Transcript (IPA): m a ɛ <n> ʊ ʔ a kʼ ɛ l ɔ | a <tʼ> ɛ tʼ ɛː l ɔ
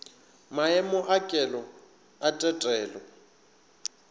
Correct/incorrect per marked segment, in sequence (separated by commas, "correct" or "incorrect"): incorrect, correct